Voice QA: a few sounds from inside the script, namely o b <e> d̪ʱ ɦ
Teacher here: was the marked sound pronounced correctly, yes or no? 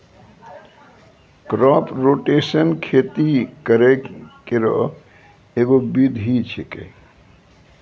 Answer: no